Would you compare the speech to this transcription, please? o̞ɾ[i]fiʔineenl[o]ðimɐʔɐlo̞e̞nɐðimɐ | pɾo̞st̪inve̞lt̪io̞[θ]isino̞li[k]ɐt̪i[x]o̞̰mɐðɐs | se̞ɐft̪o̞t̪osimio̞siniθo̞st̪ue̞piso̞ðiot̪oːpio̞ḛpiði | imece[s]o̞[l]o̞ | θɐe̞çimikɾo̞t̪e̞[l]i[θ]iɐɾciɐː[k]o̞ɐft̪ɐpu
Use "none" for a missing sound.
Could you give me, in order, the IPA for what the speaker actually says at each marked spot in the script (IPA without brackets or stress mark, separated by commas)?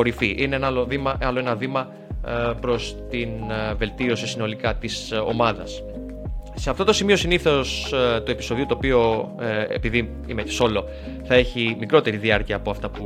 i, o, s, k, s, s, l, ɾ, ð, p